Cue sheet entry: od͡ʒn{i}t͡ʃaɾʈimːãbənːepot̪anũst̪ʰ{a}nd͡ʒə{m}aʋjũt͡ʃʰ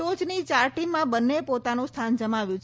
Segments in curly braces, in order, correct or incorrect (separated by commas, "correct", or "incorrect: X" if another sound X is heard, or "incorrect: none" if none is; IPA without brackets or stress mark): correct, correct, correct